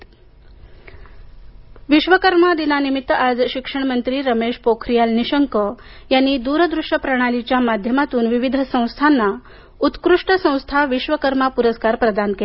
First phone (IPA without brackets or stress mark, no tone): ʋ